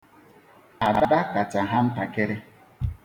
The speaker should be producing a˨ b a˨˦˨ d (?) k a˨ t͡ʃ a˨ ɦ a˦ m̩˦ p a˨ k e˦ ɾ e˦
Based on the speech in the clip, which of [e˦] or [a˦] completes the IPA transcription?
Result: a˦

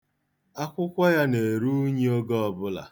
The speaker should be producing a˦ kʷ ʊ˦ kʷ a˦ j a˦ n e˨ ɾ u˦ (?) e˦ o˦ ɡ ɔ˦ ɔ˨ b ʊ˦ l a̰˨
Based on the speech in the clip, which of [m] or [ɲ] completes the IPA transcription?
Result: ɲ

